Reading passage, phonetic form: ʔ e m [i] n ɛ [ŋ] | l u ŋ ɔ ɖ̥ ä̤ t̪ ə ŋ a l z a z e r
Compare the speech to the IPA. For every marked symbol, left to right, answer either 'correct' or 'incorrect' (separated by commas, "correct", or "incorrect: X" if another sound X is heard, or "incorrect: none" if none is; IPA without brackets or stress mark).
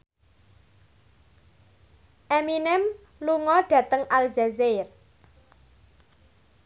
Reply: correct, incorrect: m